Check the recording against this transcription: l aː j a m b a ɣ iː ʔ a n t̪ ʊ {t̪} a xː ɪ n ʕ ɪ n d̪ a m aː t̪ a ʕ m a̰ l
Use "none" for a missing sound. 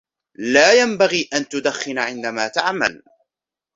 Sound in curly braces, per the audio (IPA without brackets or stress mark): d̪